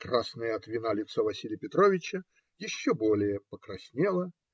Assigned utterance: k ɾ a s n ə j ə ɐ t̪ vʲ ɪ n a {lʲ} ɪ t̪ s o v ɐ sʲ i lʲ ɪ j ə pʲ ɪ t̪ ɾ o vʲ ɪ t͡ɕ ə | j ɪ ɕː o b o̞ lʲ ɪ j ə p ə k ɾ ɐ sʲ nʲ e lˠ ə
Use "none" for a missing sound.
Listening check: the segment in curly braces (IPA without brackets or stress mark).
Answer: lʲ